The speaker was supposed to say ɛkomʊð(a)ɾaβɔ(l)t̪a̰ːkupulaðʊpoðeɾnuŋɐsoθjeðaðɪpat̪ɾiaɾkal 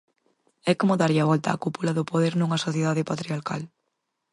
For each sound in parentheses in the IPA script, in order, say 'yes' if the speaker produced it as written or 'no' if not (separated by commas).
yes, yes